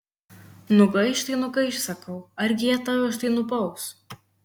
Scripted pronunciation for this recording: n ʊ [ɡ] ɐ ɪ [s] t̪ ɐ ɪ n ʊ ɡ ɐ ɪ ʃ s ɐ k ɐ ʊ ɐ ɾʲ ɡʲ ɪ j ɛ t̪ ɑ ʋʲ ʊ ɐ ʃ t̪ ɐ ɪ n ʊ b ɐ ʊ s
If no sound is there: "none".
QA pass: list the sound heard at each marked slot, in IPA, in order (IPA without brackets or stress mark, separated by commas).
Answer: ɡ, ʃ